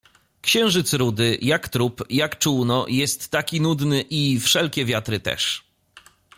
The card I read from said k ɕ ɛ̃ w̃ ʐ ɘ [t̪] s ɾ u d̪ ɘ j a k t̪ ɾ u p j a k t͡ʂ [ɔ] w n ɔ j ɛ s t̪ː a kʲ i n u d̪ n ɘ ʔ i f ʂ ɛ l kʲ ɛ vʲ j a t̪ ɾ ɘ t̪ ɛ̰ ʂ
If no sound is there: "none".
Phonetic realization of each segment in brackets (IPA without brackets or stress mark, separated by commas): t̪, u